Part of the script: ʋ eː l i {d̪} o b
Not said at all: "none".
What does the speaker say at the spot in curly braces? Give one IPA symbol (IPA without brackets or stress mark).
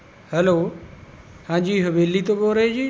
t̪